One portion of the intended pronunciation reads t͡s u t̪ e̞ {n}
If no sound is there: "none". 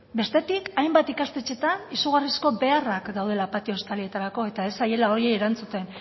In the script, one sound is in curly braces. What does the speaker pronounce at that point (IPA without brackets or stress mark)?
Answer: n